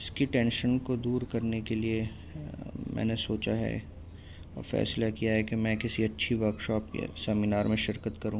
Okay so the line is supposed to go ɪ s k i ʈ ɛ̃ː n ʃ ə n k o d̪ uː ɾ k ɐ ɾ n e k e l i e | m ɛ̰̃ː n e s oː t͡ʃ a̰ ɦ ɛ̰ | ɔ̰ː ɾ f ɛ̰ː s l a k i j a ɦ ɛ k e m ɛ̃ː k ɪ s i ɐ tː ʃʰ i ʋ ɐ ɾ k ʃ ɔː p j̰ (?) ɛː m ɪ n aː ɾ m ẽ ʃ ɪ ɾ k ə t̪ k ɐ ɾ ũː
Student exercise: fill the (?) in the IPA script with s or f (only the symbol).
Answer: s